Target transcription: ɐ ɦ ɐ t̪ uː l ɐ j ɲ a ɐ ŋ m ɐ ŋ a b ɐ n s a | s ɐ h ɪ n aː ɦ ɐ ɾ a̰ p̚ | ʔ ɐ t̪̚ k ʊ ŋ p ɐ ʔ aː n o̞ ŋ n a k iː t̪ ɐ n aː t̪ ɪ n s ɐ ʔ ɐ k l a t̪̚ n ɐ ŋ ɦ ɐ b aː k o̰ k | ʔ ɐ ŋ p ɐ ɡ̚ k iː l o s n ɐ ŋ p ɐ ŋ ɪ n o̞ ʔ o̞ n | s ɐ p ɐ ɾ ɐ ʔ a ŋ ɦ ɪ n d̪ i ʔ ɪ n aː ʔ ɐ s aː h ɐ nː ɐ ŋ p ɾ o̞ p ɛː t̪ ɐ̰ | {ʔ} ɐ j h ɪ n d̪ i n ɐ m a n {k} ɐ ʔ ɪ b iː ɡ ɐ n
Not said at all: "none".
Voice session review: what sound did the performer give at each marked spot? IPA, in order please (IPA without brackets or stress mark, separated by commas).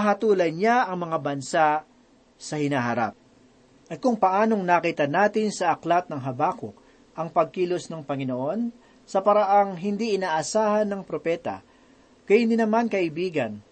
k, k